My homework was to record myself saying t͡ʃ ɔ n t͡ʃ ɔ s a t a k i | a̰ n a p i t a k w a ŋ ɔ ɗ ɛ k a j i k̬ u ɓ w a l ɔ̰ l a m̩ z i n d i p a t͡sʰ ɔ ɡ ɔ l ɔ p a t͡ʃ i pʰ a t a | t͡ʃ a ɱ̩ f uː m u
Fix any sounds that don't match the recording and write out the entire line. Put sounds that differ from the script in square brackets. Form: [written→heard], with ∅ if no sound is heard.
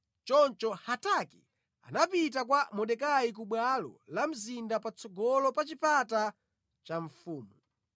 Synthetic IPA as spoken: t͡ʃ ɔ n t͡ʃ ɔ [s→h] a t a k i | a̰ n a p i t a k w a [ŋ→m] ɔ ɗ ɛ k a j i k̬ u ɓ w a l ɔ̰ l a m̩ z i n d [i→a] p a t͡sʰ ɔ ɡ ɔ l ɔ p a t͡ʃ i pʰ a t a | t͡ʃ a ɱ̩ f uː m u